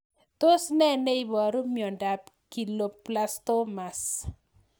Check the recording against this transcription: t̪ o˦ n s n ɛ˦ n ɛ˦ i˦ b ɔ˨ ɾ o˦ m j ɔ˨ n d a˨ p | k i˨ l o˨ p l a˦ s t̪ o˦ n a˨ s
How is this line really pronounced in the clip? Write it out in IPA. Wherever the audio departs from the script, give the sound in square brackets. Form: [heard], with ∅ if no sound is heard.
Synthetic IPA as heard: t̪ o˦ [∅] s n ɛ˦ n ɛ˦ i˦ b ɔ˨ ɾ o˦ m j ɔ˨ n d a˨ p | k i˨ l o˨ p l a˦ s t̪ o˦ [m] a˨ s